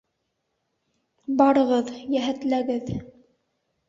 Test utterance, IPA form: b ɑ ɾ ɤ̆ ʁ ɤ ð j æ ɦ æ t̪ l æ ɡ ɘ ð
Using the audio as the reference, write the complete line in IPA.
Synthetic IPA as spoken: b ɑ ɾ ɤ̆ ʁ ɤ ð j æ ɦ æ t̪ l æ ɡ ɘ ð